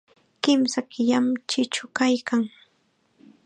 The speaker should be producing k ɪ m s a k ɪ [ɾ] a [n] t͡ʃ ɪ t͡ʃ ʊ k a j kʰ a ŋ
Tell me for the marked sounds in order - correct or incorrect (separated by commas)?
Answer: incorrect, incorrect